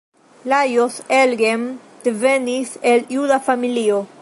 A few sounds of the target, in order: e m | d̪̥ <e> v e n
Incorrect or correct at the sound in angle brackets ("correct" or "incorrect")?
correct